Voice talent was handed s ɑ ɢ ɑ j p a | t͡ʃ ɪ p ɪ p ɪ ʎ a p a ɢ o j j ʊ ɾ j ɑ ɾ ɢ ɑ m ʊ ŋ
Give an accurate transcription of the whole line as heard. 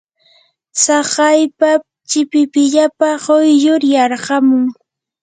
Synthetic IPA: s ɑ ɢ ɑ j p a | t͡ʃ ɪ p ɪ p ɪ ʎ a p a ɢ o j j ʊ ɾ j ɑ ɾ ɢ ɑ m ʊ ŋ